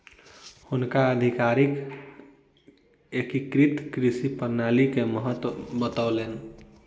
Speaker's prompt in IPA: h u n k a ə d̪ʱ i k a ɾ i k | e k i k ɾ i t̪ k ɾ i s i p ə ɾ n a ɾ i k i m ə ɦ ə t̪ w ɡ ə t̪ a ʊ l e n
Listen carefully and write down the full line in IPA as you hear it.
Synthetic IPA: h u n k a ə d̪ʱ i k a ɾ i k | e k i k ɾ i t̪ k ɾ i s i p ə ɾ n a l i k e m ə ɦ ə t̪ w b ə t̪ a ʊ l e n